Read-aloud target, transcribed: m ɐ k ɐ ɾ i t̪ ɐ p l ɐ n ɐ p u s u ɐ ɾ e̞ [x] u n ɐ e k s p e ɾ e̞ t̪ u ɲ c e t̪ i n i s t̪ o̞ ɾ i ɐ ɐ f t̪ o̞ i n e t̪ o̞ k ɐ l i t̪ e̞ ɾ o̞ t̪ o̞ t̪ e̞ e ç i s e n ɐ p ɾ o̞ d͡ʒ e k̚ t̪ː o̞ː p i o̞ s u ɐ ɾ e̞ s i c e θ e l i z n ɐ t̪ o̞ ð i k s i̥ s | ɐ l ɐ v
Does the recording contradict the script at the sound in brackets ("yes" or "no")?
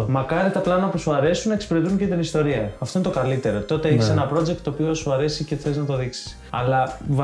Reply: yes